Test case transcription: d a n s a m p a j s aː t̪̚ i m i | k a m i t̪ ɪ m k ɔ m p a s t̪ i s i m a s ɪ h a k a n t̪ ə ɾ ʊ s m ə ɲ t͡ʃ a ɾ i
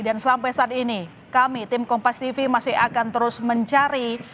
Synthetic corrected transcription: d a n s a m p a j s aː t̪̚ i n i | k a m i t̪ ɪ m k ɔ m p a s t̪ i f i m a s ɪ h a k a n t̪ ə ɾ ʊ s m ə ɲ t͡ʃ a ɾ i